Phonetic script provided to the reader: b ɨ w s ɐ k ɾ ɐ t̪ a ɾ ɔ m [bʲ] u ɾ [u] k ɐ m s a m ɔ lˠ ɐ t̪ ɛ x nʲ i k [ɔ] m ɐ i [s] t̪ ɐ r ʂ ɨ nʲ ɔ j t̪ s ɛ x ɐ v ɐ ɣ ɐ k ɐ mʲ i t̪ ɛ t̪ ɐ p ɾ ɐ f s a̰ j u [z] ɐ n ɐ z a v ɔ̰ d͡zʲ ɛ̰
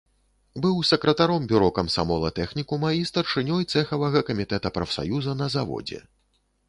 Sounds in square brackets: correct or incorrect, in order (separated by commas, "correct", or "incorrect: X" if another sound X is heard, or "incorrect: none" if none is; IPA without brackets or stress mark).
correct, incorrect: ɔ, incorrect: u, correct, correct